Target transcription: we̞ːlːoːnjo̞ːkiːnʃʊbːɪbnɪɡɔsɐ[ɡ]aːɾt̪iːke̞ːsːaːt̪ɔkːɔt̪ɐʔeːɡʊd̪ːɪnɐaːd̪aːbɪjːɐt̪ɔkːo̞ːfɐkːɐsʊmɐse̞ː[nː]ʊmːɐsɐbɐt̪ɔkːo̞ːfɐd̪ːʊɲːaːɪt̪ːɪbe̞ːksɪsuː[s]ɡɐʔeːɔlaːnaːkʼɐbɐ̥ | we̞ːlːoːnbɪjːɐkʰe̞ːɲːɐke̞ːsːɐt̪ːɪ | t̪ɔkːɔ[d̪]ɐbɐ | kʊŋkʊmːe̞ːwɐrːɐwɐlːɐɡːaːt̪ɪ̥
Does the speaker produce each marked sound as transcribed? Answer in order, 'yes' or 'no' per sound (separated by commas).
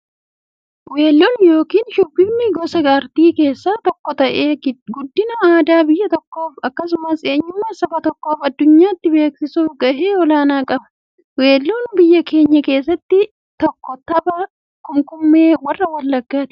yes, no, no, no